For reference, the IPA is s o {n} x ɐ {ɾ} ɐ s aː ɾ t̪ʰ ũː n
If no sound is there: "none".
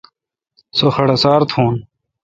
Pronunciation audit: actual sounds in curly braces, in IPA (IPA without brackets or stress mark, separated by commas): none, ɽ